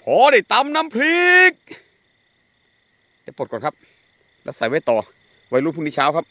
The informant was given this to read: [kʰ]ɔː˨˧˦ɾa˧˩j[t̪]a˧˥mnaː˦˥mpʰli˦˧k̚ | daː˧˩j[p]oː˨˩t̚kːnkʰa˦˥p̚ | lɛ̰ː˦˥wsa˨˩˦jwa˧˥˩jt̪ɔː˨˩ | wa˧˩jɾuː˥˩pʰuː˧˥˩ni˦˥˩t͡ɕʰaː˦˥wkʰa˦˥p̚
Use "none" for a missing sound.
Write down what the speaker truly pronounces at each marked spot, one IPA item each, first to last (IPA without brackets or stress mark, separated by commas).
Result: pʰ, t̪, p